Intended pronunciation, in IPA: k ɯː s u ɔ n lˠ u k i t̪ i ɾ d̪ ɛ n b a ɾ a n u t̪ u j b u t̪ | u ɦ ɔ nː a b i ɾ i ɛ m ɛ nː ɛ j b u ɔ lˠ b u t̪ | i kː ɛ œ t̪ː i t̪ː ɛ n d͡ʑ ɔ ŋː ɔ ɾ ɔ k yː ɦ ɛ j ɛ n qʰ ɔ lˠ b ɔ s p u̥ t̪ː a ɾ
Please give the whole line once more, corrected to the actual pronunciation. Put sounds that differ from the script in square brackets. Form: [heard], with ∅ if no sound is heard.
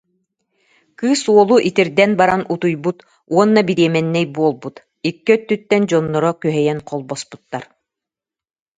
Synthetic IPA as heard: k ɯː s u ɔ [∅] lˠ u [ʔ] i t̪ i ɾ d̪ ɛ n b a ɾ a n u t̪ u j b u t̪ | u [∅] ɔ nː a b i ɾ i ɛ m ɛ nː ɛ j b u ɔ lˠ b u t̪ | i kː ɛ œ t̪ː [y] t̪ː ɛ n d͡ʑ ɔ [nː] ɔ ɾ ɔ k [y] ɦ ɛ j ɛ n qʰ ɔ lˠ b ɔ s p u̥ t̪ː a ɾ